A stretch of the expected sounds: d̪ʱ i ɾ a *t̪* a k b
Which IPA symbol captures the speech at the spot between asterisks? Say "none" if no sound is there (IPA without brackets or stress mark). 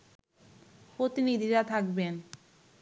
t̪ʰ